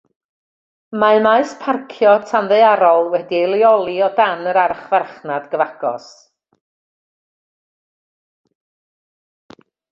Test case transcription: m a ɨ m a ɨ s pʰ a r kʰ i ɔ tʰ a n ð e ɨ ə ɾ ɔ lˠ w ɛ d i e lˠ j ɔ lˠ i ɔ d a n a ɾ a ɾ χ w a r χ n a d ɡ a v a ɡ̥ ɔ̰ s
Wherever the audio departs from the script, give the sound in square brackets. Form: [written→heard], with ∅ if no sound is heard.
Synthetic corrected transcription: m a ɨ m a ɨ s pʰ a r kʰ [i→j] ɔ tʰ a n ð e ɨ [ə→a] ɾ ɔ lˠ w ɛ d i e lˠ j ɔ lˠ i ɔ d a n [a→ə] ɾ a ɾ χ [w→v] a r χ n a d ɡ [a→ə] v a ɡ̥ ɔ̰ s